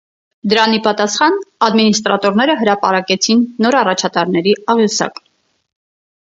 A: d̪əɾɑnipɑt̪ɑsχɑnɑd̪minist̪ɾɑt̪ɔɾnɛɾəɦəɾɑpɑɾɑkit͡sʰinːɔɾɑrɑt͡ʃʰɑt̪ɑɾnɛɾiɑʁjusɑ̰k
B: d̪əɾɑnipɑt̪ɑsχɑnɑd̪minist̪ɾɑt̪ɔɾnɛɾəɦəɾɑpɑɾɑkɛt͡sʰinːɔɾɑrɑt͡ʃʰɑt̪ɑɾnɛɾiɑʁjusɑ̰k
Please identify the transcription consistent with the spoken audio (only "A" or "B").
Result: B